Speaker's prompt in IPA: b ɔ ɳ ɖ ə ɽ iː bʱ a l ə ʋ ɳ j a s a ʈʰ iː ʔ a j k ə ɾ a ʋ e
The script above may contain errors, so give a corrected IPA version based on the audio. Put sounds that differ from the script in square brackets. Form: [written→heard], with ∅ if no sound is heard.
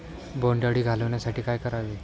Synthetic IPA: b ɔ ɳ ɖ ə ɽ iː [bʱ→ɡʱ] a l ə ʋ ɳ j a s a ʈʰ iː [ʔ→k] a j k ə ɾ a ʋ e